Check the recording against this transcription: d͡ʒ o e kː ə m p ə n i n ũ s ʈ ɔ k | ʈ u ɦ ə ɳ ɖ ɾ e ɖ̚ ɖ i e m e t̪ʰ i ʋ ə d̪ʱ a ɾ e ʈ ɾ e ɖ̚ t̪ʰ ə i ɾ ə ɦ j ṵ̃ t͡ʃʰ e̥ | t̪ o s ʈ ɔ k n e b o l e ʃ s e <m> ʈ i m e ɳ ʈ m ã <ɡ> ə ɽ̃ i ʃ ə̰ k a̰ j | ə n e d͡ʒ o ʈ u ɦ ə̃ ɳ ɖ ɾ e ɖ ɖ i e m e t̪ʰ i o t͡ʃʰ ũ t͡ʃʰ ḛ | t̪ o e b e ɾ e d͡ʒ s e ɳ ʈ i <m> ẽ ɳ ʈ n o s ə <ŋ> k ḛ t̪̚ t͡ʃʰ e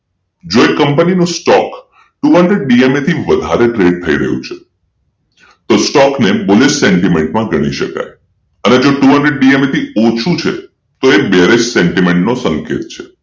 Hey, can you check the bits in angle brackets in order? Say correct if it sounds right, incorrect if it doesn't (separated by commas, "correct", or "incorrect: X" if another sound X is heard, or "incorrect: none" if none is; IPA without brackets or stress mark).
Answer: incorrect: ɳ, correct, correct, correct